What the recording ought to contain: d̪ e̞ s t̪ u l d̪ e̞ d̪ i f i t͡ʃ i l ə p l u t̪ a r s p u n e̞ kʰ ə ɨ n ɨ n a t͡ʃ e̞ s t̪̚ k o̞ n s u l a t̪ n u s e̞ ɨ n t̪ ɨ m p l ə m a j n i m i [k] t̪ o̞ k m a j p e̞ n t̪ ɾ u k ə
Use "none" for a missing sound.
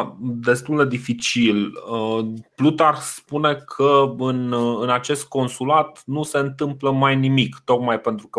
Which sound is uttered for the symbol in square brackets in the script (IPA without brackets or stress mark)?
k